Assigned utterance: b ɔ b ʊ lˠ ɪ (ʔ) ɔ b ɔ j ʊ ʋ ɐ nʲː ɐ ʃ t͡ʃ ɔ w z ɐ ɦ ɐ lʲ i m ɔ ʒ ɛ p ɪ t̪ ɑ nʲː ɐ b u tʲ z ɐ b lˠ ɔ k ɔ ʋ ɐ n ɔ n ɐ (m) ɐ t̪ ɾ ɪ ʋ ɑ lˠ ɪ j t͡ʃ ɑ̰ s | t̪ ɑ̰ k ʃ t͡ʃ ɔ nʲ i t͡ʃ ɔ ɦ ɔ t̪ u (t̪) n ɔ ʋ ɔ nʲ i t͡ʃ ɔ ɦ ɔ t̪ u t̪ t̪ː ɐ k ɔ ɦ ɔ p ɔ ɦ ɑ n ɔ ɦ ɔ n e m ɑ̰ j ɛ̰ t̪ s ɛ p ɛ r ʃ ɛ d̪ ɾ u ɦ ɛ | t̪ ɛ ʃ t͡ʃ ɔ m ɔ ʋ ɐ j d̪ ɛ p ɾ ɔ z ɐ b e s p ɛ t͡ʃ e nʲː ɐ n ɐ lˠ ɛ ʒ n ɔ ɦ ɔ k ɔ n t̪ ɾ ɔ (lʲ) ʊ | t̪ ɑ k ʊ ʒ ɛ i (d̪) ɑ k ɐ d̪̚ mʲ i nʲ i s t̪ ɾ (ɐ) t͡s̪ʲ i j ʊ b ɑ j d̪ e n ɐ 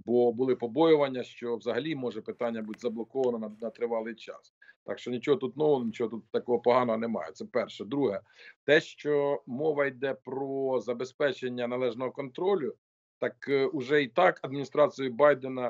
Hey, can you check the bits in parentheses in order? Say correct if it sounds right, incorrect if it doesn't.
incorrect: p, incorrect: n, correct, correct, incorrect: t̪, incorrect: ɑ

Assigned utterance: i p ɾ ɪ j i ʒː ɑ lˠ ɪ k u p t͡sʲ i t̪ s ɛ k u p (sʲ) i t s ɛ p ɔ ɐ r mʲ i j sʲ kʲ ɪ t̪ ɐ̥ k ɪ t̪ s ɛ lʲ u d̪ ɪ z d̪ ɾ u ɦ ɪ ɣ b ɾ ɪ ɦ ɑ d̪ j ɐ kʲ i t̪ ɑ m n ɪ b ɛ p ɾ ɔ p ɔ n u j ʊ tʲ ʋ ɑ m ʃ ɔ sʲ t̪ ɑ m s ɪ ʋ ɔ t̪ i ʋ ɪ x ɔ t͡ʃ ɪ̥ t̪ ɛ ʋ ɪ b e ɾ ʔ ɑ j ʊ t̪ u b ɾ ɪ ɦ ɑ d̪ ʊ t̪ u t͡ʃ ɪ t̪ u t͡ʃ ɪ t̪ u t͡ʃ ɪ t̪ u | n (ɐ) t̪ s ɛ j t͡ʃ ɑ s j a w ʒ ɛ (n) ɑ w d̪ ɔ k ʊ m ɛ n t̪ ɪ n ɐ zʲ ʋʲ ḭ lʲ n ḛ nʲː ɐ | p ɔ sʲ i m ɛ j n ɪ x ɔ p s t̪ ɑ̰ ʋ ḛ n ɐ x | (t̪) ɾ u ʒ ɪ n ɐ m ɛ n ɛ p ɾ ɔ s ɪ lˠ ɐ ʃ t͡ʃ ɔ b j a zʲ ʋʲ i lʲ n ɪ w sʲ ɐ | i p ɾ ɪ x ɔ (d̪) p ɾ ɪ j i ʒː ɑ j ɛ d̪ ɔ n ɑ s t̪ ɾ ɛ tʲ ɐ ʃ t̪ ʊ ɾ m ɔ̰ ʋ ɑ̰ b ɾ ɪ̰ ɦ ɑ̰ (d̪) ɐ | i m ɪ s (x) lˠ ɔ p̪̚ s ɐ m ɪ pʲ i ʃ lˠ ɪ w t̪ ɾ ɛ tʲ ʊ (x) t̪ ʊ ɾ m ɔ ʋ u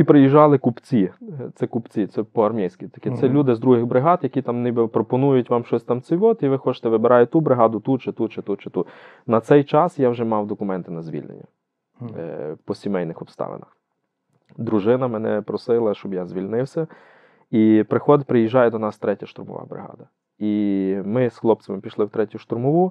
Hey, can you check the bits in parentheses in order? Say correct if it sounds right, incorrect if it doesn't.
incorrect: t͡sʲ, correct, incorrect: m, incorrect: d̪, correct, correct, correct, incorrect: ʃ

